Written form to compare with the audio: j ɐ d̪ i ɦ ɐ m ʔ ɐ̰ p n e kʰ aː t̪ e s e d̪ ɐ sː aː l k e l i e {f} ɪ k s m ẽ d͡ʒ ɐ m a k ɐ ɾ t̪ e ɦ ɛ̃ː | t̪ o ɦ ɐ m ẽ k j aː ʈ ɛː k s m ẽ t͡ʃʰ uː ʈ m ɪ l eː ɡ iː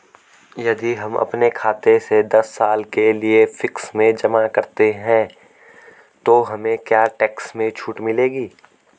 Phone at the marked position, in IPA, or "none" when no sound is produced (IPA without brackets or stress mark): f